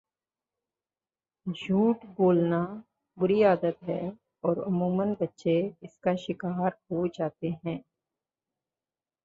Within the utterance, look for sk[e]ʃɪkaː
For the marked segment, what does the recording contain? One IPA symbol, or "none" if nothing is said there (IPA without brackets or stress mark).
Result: a